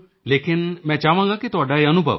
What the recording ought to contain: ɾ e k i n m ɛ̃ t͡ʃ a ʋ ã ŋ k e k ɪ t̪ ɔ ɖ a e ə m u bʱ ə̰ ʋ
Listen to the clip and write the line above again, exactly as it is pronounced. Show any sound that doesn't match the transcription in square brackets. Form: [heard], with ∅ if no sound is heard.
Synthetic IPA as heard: [l] e k i n m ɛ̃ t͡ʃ a ʋ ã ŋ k [a] k [i] t̪ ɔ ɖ a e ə [n] u bʱ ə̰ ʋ